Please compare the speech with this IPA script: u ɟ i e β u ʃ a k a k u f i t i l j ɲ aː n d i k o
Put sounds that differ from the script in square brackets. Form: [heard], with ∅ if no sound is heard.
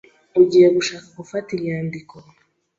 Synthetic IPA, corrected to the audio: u ɟ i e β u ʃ a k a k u f [a] t i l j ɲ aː n d i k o